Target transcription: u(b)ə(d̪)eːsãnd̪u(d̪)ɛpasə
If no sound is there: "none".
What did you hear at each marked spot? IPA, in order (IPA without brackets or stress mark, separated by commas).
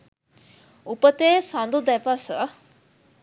p, t̪, d̪